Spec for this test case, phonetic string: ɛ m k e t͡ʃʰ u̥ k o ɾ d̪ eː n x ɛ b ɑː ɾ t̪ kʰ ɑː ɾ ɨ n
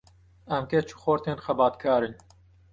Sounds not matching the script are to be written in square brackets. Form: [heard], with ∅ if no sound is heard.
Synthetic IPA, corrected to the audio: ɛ m k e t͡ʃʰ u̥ [x] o ɾ [t̪] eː n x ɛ b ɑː [∅] t̪ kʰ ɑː ɾ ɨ n